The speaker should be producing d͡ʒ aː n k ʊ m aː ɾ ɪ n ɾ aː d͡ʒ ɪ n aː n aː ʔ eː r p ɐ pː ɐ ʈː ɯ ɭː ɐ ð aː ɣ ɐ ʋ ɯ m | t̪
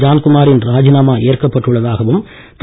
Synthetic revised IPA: d͡ʒ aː n k ʊ m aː ɾ ɪ n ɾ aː d͡ʒ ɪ n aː m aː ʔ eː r k ɐ pː ɐ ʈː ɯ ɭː ɐ ð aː ɣ ɐ ʋ ɯ m | t̪